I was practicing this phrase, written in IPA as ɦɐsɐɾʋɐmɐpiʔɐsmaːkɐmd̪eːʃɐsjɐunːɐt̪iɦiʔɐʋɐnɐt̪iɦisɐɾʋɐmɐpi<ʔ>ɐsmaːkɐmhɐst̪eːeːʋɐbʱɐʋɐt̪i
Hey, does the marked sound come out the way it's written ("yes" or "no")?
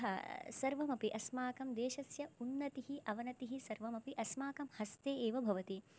yes